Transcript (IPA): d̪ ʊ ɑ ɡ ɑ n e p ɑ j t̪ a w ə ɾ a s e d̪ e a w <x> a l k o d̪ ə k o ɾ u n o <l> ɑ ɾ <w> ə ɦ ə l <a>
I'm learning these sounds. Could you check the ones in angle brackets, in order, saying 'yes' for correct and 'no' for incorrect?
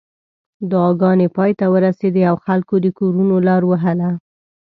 yes, yes, yes, yes

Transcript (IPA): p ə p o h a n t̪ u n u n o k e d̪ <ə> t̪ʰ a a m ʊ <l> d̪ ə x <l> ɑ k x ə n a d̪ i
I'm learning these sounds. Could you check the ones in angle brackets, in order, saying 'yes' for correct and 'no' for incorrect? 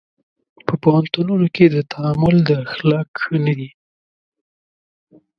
yes, yes, yes

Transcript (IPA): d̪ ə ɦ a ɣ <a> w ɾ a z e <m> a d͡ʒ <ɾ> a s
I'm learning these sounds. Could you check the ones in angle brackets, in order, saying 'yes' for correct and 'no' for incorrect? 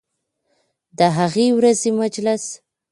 no, yes, no

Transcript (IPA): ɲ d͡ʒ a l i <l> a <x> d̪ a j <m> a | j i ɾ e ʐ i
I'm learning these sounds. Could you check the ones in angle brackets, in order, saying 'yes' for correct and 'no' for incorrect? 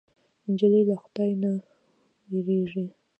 yes, yes, no

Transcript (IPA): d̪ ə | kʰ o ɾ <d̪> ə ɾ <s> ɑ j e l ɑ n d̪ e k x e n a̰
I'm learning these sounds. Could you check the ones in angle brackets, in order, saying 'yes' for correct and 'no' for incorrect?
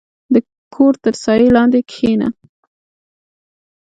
no, yes

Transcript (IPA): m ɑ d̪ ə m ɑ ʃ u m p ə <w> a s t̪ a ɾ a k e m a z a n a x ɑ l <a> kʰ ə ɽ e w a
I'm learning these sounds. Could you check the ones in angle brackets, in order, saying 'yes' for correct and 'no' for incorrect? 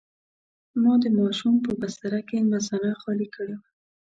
no, no

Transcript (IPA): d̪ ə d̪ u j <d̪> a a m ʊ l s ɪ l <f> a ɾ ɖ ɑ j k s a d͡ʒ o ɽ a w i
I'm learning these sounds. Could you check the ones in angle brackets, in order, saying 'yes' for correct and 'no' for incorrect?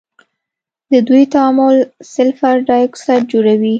no, yes

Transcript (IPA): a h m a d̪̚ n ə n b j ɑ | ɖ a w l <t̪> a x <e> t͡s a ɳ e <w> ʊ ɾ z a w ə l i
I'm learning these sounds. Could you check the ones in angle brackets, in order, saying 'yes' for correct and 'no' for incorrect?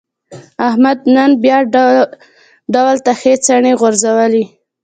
yes, yes, no

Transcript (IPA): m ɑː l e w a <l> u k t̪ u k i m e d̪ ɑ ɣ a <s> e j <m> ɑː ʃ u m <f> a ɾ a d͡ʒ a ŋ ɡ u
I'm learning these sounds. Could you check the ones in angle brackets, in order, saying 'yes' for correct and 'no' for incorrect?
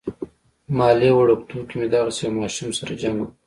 no, yes, yes, no

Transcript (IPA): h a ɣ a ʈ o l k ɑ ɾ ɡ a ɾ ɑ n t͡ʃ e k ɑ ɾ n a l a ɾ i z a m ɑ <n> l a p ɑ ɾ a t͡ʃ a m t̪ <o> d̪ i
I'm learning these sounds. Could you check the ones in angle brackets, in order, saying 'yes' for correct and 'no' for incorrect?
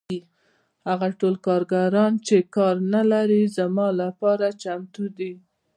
no, no

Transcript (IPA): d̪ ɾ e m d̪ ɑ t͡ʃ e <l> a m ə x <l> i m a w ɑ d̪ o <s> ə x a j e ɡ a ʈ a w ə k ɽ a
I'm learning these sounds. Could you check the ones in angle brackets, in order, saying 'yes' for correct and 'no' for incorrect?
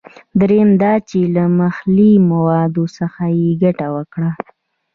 yes, yes, yes

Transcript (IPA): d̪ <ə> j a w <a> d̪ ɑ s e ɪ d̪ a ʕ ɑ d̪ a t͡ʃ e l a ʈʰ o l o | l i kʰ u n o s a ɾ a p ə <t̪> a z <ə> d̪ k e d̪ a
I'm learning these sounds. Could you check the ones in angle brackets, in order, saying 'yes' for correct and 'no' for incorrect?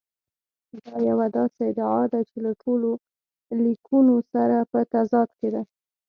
no, yes, yes, no

